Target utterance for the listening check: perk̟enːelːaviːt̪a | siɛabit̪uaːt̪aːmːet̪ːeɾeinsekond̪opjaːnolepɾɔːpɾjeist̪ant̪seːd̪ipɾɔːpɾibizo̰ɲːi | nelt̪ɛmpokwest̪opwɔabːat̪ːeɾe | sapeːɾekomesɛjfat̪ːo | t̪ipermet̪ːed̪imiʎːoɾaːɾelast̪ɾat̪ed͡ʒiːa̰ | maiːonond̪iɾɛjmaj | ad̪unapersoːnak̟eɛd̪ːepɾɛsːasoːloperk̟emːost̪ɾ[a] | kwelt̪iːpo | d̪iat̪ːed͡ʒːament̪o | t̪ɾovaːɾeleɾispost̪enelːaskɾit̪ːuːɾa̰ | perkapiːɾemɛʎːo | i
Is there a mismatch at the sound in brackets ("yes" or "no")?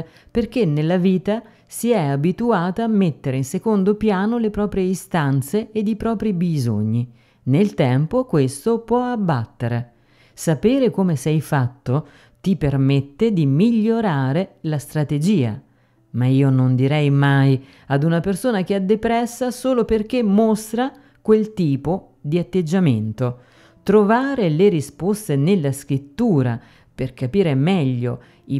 no